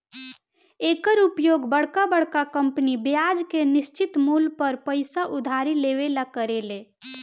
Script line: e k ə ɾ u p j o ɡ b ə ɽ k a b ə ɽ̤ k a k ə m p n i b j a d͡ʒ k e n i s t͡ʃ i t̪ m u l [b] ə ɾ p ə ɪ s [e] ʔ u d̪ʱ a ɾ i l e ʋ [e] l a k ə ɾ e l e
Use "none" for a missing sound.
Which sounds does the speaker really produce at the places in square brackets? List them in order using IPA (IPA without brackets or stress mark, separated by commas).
p, a, e